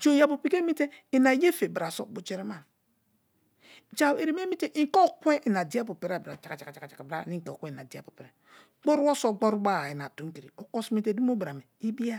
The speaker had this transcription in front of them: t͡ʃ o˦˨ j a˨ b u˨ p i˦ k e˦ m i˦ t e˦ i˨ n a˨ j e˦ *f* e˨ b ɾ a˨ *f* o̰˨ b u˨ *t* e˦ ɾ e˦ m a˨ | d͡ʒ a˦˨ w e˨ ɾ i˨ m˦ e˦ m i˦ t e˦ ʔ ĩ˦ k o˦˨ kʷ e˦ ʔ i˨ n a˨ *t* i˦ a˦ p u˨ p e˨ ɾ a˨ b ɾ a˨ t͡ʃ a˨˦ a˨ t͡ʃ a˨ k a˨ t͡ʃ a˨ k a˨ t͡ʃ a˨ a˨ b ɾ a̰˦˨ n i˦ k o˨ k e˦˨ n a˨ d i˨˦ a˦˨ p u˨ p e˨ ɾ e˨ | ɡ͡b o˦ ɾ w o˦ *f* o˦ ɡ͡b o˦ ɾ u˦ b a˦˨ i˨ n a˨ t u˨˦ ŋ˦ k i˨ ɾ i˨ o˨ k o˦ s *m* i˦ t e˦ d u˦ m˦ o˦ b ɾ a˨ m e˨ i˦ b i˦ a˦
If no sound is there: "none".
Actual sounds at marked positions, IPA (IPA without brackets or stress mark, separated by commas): f, s, t͡ʃ, d, s, m